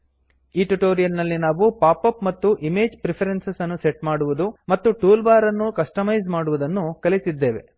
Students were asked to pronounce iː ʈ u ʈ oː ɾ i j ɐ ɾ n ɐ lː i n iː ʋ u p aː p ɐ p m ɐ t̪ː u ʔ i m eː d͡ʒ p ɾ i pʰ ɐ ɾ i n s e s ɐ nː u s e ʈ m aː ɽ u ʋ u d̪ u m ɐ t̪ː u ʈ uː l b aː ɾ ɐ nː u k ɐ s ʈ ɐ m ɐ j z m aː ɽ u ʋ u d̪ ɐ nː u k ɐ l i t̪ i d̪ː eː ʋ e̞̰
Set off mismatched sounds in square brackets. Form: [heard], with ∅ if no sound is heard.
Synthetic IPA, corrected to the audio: iː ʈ u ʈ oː ɾ i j ɐ [l] n ɐ lː i n [aː] ʋ u p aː p ɐ p m ɐ t̪ː u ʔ i m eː d͡ʒ p ɾ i pʰ ɐ ɾ [e] n s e s ɐ nː u s e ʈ m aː ɽ u ʋ u d̪ u m ɐ t̪ː u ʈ uː l b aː ɾ ɐ nː u k ɐ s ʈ ɐ m ɐ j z m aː ɽ u ʋ u d̪ ɐ nː u k ɐ l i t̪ i d̪ː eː ʋ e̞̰